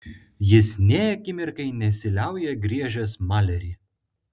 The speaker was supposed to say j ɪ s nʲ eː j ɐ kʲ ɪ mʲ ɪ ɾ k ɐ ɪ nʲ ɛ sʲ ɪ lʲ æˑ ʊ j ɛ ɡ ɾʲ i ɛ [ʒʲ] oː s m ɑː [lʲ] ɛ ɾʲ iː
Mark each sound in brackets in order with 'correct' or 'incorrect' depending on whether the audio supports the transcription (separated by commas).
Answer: correct, correct